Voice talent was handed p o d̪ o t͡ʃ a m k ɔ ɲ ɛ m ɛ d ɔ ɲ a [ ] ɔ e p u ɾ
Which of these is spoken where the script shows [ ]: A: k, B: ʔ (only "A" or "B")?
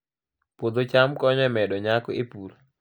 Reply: A